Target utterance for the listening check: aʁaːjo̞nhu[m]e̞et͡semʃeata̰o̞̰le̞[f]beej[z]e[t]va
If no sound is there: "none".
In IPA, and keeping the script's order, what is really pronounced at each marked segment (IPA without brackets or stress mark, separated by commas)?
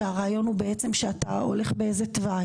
b, χ, z, t